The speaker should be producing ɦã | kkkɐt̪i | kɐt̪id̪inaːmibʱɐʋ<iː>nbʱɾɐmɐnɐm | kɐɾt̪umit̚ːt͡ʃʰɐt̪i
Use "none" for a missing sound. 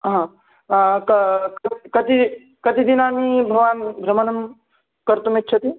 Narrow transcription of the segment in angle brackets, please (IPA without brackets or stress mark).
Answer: aː